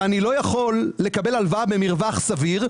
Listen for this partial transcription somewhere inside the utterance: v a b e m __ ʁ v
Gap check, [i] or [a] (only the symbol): i